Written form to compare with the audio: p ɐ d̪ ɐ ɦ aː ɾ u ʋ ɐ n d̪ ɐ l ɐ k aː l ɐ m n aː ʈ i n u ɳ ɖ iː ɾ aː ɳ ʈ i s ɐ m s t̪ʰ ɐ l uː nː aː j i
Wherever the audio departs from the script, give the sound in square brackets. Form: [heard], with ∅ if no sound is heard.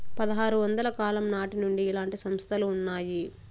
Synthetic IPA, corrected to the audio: p ɐ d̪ ɐ ɦ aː ɾ u ʋ ɐ n d̪ ɐ l ɐ k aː l ɐ m n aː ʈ i n u ɳ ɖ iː [l] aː ɳ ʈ i s ɐ m s t̪ʰ ɐ l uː nː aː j i